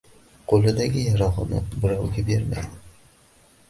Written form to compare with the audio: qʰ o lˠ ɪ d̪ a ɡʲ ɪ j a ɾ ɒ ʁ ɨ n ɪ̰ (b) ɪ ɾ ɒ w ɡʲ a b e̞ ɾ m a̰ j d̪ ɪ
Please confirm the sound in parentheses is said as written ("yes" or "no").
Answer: yes